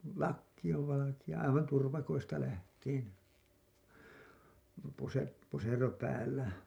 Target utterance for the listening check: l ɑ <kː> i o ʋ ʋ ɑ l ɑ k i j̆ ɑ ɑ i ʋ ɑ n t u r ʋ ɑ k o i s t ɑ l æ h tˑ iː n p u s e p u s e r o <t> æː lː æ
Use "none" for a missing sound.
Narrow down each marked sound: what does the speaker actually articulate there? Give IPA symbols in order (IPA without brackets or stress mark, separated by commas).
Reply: kː, p